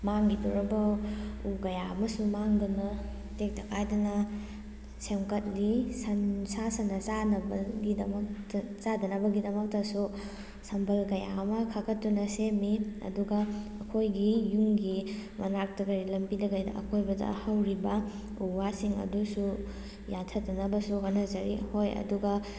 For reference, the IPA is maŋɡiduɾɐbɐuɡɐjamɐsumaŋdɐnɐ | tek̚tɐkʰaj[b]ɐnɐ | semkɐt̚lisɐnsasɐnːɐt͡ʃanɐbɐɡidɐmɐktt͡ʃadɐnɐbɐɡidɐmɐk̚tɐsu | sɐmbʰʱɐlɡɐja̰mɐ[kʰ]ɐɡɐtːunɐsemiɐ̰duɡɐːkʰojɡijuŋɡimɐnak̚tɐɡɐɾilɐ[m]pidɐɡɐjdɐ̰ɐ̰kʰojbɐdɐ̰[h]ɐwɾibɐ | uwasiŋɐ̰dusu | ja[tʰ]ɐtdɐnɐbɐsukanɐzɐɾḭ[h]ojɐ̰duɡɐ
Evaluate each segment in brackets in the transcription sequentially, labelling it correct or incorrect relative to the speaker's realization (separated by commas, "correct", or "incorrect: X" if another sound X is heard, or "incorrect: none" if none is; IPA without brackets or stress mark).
incorrect: d, correct, correct, correct, correct, correct